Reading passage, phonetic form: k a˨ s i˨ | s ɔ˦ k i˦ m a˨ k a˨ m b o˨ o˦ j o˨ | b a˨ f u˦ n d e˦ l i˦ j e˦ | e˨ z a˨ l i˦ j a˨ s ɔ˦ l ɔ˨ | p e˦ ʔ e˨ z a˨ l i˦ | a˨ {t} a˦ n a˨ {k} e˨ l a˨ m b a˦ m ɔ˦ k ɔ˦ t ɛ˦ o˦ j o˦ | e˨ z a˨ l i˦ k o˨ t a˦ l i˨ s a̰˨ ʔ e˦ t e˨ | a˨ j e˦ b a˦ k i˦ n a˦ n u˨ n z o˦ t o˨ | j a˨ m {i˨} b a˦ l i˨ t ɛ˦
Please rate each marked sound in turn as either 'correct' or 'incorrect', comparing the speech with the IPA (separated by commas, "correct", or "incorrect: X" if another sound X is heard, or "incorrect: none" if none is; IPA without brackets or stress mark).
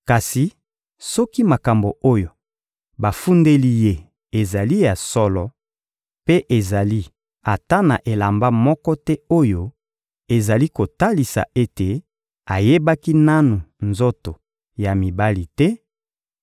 correct, incorrect: ʔ, correct